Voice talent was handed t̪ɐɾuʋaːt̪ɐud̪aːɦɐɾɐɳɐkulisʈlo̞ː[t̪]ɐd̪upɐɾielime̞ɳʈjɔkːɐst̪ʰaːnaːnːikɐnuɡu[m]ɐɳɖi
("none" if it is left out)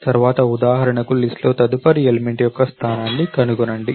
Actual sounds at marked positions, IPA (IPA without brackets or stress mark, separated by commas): t̪, n